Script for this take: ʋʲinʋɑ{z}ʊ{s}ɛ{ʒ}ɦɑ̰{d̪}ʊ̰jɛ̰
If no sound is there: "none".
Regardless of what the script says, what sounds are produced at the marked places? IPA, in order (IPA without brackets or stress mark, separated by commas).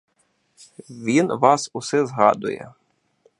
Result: s, s, z, d̪